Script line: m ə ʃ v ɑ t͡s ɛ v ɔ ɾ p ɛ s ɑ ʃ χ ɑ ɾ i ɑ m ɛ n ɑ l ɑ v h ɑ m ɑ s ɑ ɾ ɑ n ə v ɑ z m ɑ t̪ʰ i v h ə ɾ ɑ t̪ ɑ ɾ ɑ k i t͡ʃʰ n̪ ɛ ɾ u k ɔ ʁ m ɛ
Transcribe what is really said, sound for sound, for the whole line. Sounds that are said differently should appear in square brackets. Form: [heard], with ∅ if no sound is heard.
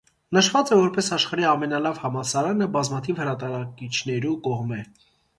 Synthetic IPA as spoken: [n] ə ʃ v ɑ t͡s ɛ v ɔ ɾ p ɛ s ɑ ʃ χ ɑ ɾ i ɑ m ɛ n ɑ l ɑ v h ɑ m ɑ s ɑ ɾ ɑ n ə [b] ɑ z m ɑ t̪ʰ i v h ə ɾ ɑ t̪ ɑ ɾ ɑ k i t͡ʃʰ n̪ ɛ ɾ u k ɔ ʁ m ɛ